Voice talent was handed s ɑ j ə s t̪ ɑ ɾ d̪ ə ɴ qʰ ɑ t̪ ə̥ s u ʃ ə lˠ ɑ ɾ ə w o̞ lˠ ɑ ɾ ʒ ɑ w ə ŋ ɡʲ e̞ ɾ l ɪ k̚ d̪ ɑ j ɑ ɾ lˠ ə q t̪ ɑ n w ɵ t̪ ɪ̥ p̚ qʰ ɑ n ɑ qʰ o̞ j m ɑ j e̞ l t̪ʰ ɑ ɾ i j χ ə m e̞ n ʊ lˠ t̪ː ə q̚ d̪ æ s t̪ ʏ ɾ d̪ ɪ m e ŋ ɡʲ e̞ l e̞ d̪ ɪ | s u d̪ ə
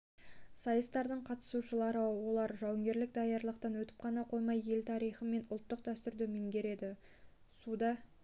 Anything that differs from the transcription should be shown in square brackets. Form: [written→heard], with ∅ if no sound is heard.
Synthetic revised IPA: s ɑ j ə s t̪ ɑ ɾ d̪ ə ɴ qʰ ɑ t̪ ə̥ s u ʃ ə lˠ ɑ ɾ ə w o̞ lˠ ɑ ɾ ʒ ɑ w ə ŋ ɡʲ e̞ ɾ l ɪ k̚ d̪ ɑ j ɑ ɾ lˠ ə q t̪ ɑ n w ɵ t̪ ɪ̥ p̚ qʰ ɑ n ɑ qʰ o̞ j m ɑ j e̞ l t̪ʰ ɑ ɾ i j χ ə m e̞ n ʊ lˠ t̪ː ə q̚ d̪ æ s t̪ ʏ ɾ d̪ ɪ m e ŋ ɡʲ e̞ [l→ɾ] e̞ d̪ ɪ | s u d̪ [ə→ɑ]